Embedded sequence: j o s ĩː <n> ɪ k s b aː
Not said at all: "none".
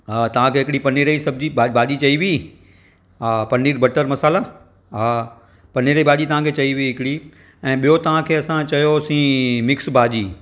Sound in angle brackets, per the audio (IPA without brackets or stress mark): m